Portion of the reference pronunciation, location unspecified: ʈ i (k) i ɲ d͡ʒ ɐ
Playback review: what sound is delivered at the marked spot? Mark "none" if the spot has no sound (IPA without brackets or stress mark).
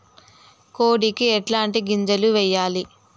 ɡ